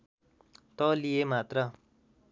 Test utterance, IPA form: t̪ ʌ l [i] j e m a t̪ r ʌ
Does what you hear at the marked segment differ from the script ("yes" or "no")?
no